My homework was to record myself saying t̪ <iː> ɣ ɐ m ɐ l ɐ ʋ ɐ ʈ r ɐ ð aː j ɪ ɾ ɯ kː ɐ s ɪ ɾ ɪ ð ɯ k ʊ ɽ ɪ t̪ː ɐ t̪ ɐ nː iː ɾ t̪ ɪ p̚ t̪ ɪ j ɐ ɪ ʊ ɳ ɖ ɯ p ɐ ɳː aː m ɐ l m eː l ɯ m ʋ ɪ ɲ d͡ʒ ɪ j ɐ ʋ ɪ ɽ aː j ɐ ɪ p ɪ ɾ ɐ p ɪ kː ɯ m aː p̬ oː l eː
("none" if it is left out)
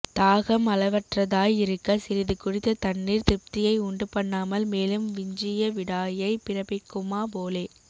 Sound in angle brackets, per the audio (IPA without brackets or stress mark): aː